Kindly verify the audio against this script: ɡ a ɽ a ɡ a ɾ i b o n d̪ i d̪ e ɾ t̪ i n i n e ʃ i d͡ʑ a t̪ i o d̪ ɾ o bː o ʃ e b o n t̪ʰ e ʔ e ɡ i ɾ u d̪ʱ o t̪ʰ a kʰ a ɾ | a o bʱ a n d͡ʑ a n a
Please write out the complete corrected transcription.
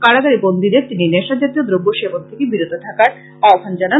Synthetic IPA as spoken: k a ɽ a ɡ a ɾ i b o n d̪ i d̪ e ɾ t̪ i n i n e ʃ a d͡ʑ a t̪ i o d̪ ɾ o bː o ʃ e b o n t̪ʰ e k e b i ɾ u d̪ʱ o t̪ʰ a k a ɾ | a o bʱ a n d͡ʑ a n a